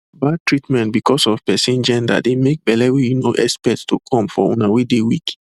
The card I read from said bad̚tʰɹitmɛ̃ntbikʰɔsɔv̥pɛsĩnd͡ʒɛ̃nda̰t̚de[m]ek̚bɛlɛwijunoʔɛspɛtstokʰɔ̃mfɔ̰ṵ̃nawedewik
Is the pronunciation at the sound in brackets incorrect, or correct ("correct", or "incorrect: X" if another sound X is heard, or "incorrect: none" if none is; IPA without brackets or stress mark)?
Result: correct